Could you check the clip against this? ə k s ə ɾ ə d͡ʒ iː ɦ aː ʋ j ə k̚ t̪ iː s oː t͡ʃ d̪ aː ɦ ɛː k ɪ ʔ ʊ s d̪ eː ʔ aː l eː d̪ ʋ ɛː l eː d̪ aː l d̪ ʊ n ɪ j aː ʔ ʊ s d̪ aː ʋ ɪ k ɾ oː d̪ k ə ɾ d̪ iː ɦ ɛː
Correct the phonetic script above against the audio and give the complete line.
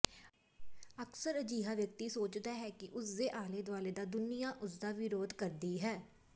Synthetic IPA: ə k s ə ɾ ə d͡ʒ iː ɦ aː ʋ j ə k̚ t̪ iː s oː t͡ʃ d̪ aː ɦ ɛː k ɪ ʔ ʊ s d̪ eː ʔ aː l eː d̪ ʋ aː l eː d̪ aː d̪ ʊ n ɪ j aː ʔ ʊ s d̪ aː ʋ ɪ ɾ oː d̪ k ə ɾ d̪ iː ɦ ɛː